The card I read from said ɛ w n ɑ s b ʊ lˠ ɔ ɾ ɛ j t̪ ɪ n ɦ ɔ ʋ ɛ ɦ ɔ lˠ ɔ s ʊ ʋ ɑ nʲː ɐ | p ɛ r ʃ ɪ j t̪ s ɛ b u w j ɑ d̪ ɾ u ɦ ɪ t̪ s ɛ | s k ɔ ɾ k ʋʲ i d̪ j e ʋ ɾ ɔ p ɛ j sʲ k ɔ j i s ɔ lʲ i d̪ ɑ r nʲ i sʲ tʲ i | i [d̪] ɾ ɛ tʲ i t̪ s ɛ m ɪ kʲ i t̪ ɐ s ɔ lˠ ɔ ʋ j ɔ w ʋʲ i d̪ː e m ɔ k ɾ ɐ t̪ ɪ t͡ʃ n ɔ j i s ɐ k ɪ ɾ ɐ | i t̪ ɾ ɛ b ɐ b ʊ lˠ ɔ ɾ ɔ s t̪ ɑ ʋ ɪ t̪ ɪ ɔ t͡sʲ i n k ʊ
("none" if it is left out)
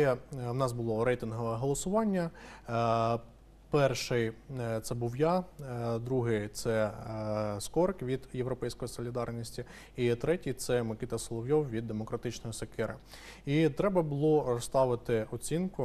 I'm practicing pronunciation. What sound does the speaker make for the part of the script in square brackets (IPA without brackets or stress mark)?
t̪